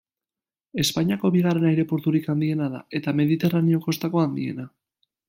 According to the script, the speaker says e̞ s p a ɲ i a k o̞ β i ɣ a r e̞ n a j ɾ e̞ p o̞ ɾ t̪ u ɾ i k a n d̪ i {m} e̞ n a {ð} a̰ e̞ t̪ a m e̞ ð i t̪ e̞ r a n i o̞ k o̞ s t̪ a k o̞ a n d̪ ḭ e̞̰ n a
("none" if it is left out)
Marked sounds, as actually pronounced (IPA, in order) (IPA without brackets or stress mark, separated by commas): none, ð